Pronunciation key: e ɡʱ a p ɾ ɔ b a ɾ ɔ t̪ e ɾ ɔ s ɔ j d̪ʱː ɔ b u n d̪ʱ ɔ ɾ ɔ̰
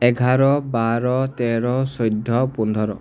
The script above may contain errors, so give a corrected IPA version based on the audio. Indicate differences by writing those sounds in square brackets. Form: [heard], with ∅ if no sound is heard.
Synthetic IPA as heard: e ɡʱ a [∅] ɾ ɔ b a ɾ ɔ t̪ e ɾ ɔ s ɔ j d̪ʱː ɔ [p] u n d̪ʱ ɔ ɾ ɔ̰